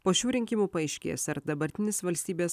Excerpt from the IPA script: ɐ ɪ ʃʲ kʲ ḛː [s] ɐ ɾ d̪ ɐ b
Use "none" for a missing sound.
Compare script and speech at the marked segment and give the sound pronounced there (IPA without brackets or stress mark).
s